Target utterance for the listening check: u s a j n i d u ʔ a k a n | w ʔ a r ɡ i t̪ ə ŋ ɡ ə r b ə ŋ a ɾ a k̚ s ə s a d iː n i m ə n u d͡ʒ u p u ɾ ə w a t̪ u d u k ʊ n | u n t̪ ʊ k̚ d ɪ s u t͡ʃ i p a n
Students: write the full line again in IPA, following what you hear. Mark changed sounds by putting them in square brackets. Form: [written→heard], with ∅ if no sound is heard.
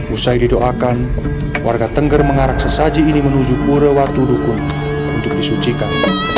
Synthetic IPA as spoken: u s a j [n→d] i d [u→o] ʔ a k a n | w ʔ a r ɡ [i→a] t̪ ə ŋ ɡ ə r [b→m] ə ŋ a ɾ a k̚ s ə s a [d→d͡ʒ] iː n i m ə n u d͡ʒ u p u ɾ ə w a t̪ u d u k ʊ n | u n t̪ ʊ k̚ d [ɪ→i] s u t͡ʃ i [p→k] a n